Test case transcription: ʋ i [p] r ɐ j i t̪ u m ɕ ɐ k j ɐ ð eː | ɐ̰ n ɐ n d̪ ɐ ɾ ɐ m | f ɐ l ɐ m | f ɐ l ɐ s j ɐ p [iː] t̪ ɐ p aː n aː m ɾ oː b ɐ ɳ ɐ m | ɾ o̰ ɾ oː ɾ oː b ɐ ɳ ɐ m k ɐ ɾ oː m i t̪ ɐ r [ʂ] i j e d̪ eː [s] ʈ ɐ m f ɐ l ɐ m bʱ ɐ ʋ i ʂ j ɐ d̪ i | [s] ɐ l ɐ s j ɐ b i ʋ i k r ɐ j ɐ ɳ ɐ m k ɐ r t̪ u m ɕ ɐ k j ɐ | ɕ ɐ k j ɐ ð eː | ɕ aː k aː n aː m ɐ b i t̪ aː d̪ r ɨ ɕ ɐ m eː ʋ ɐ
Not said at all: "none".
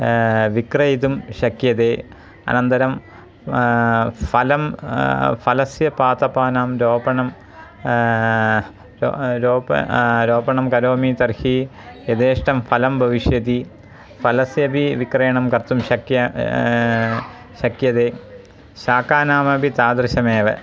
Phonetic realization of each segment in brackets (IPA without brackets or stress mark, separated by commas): k, aː, h, ʂ, f